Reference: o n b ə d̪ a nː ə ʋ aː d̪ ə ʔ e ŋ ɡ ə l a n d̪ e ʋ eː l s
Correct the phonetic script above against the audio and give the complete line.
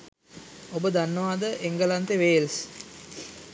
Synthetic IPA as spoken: o b ə d̪ a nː ə ʋ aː d̪ ə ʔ e ŋ ɡ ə l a n t̪ e ʋ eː l s